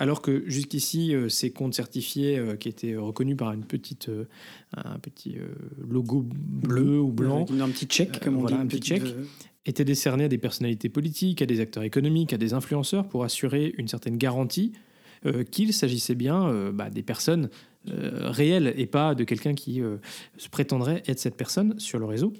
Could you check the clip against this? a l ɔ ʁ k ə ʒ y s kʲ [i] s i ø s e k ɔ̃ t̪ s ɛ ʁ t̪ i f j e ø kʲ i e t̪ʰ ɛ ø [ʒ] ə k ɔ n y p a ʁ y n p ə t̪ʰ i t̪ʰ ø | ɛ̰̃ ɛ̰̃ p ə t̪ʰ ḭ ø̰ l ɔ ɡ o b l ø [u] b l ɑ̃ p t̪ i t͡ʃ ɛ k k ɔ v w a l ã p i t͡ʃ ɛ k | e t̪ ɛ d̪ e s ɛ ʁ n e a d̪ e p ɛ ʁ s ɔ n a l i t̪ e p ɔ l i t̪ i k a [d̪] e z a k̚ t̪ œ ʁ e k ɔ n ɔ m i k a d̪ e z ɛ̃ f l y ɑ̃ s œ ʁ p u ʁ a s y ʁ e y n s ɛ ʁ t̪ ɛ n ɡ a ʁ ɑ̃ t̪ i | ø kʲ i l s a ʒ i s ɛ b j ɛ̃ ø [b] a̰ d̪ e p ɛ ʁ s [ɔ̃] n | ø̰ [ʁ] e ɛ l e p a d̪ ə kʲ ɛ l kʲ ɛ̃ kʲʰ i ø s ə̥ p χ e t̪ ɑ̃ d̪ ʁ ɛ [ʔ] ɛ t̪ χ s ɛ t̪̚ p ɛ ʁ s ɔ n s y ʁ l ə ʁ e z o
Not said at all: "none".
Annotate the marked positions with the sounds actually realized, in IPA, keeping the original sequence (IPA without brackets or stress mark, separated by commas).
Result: i, ʁ, u, d̪, b, ɔ, ʁ, ʔ